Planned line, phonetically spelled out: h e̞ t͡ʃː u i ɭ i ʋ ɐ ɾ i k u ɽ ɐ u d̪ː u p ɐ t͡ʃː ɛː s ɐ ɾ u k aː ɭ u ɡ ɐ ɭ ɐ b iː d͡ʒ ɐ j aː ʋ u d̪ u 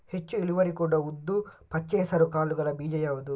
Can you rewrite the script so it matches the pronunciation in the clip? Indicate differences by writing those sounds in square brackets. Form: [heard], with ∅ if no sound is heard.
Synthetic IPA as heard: h e̞ t͡ʃː u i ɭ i ʋ ɐ ɾ i k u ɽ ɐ u d̪ː u p ɐ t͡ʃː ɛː s ɐ ɾ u k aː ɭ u ɡ ɐ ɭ ɐ b iː d͡ʒ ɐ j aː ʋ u d̪ u